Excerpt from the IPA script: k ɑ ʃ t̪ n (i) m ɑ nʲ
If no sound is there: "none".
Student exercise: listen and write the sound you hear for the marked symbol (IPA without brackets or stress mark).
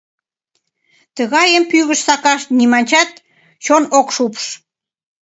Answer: i